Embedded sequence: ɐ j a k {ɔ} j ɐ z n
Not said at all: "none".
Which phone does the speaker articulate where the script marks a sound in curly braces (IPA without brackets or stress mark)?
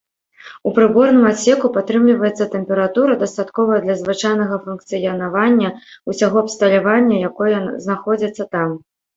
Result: ɔ